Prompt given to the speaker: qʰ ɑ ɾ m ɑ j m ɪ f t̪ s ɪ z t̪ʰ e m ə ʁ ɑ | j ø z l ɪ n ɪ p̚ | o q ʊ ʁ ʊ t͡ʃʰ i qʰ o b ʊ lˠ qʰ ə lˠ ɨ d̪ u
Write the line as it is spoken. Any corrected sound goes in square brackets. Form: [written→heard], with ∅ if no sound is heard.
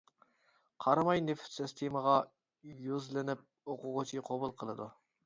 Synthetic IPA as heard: qʰ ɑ ɾ m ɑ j [m→n] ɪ f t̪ s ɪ [z→s] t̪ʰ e m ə ʁ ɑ | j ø z l ɪ n ɪ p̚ | o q ʊ ʁ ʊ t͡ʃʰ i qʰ o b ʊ lˠ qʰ ə lˠ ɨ d̪ u

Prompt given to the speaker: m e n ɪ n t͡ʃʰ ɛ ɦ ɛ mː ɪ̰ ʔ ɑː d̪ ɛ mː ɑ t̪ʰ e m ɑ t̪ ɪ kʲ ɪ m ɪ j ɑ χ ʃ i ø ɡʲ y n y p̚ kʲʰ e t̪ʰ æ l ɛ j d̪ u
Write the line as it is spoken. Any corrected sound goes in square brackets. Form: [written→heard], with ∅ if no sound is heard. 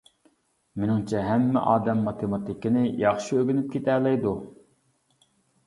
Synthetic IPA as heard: m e n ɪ [n→ŋ] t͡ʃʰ ɛ ɦ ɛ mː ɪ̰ ʔ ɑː d̪ ɛ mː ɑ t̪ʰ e m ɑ t̪ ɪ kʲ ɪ [m→n] ɪ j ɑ χ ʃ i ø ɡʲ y n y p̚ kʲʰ e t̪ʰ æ l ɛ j d̪ u

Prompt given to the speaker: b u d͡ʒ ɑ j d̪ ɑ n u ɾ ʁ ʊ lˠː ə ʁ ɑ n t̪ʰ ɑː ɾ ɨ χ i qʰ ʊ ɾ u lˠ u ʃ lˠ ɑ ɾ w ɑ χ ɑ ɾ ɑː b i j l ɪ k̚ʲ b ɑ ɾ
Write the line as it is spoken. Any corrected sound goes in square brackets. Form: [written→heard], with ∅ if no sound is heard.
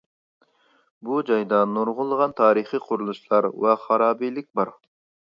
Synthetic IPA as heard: b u d͡ʒ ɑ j d̪ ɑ n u ɾ ʁ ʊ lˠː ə ʁ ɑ n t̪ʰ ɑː ɾ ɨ χ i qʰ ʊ ɾ u lˠ u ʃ lˠ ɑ ɾ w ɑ χ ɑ ɾ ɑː b i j l ɪ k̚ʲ b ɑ ɾ

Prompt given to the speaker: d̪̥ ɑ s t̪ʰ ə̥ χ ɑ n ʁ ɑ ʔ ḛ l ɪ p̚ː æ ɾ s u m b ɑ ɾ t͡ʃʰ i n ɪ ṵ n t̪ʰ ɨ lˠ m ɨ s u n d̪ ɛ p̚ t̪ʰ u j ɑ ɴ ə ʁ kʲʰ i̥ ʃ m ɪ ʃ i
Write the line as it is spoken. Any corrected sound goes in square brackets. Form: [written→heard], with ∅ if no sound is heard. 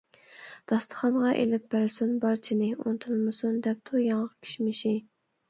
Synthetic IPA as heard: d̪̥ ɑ s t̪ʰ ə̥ χ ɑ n ʁ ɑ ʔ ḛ l ɪ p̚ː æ ɾ s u [m→n] b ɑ ɾ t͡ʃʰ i n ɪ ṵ n t̪ʰ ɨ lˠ m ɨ s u n d̪ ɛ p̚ t̪ʰ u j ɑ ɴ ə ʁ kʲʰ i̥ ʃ m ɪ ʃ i

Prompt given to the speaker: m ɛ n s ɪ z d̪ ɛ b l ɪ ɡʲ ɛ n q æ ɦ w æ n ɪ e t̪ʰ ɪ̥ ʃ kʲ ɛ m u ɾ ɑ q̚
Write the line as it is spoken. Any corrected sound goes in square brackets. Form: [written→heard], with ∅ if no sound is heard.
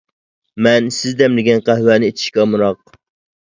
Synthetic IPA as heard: m ɛ n s ɪ z d̪ ɛ [b→m] l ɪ ɡʲ ɛ n q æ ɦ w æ n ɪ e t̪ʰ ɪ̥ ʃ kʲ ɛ m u ɾ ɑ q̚

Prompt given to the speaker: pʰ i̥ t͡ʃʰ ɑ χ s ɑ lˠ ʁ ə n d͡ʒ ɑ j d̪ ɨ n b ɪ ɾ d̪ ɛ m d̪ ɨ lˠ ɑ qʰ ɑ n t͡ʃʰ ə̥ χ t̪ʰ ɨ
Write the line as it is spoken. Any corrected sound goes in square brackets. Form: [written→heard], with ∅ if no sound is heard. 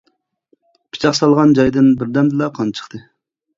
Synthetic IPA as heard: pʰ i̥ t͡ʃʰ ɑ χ s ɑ lˠ ʁ [ə→ɑ] n d͡ʒ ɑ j d̪ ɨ n b ɪ ɾ d̪ ɛ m d̪ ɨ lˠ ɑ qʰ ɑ n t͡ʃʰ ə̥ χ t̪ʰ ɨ

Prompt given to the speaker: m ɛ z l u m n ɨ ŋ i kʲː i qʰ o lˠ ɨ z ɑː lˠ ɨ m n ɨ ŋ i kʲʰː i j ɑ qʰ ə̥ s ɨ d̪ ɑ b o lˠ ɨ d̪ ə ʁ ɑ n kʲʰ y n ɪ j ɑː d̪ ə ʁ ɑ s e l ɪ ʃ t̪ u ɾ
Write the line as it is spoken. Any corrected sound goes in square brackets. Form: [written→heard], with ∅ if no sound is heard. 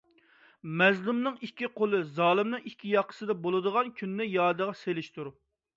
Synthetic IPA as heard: m ɛ z l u m n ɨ ŋ i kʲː i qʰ o lˠ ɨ z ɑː lˠ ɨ m n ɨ ŋ i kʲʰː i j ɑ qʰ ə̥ s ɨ d̪ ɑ b o lˠ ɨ d̪ ə ʁ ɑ n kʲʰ y [n→nː] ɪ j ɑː d̪ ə ʁ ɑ s e l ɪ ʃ t̪ u ɾ

